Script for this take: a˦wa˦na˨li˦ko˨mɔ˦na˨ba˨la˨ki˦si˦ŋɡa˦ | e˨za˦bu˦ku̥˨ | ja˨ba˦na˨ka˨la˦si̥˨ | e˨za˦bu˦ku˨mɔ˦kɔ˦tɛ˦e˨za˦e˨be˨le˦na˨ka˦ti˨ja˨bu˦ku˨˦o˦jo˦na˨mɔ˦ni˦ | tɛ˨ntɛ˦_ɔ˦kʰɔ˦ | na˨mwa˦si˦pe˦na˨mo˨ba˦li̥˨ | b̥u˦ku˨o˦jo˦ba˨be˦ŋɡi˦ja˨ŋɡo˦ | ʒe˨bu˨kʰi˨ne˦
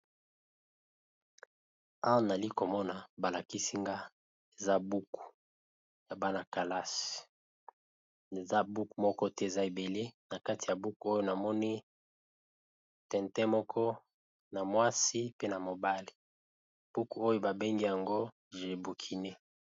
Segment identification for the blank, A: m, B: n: A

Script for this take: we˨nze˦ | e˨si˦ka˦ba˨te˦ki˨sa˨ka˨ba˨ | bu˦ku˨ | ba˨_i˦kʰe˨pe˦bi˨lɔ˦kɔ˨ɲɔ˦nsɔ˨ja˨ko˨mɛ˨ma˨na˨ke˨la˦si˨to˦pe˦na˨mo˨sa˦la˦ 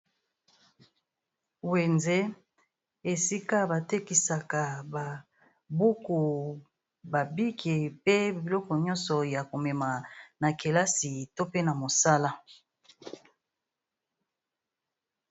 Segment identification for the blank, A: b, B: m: A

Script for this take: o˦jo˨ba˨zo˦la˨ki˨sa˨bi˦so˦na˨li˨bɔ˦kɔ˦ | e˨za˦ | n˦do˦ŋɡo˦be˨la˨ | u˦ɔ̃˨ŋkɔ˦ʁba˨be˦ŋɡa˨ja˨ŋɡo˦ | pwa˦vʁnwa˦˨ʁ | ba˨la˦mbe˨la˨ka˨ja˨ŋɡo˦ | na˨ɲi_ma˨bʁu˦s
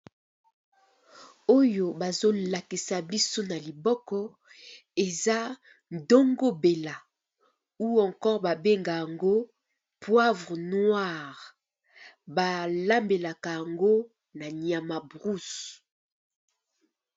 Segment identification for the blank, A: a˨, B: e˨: A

